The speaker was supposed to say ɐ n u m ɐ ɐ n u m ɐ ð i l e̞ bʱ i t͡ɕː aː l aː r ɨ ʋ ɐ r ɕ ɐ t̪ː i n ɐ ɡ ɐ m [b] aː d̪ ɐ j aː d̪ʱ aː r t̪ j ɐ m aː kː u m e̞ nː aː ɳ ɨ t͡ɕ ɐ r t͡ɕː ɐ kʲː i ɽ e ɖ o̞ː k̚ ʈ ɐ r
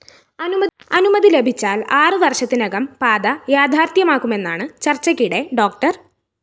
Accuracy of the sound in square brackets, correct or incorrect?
incorrect